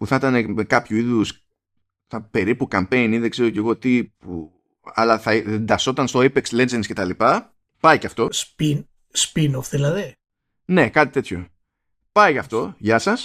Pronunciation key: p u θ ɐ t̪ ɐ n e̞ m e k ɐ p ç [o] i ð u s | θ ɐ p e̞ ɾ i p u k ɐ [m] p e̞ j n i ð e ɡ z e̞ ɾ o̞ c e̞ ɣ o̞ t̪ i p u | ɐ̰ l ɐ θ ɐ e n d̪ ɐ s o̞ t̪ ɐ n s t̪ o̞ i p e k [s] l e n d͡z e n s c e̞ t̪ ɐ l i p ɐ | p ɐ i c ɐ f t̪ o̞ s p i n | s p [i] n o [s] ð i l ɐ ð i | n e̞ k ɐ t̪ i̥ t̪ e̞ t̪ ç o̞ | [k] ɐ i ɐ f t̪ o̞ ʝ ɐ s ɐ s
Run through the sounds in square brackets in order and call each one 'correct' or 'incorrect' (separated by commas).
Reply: incorrect, correct, correct, correct, incorrect, incorrect